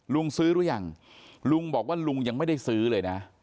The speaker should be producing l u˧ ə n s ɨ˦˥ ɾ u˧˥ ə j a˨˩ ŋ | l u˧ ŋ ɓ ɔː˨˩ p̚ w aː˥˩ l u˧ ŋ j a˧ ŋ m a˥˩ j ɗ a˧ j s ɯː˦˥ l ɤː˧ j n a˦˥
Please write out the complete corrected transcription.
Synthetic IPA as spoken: l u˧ ə ŋ s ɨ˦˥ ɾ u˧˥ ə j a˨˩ ŋ | l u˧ ŋ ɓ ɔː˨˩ k̚ w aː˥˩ l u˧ ŋ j a˧ ŋ m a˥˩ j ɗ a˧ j s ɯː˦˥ l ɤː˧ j n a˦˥